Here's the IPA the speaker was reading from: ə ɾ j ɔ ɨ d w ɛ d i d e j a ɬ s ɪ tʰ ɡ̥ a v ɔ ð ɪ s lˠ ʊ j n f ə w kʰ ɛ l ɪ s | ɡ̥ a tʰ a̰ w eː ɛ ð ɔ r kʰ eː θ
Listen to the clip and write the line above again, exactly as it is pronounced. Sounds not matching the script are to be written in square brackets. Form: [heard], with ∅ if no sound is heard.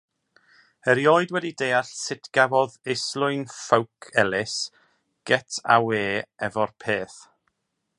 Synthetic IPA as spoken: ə ɾ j ɔ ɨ d w ɛ d i d e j a ɬ s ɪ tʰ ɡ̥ a v ɔ ð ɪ s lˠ ʊ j n f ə w kʰ ɛ l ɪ s | ɡ̥ [ɛ] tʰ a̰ w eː ɛ [v] ɔ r [pʰ] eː θ